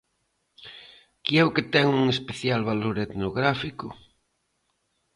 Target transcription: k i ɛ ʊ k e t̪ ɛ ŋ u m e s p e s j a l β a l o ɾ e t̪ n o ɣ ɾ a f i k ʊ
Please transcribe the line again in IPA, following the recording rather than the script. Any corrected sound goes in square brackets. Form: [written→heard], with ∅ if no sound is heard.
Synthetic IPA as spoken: k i ɛ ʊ k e t̪ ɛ ŋ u [m→ŋ] e s p e [s→θ] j a l β a l o ɾ e t̪ n o ɣ ɾ a f i k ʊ